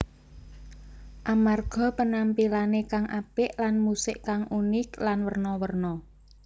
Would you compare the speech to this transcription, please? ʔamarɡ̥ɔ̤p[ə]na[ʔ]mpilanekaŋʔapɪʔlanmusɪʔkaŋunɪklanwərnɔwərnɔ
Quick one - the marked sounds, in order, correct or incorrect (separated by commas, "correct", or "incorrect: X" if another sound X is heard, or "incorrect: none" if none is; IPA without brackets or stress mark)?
correct, incorrect: none